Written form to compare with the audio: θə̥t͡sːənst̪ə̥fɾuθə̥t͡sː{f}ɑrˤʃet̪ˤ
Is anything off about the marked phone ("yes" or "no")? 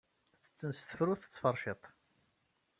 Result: no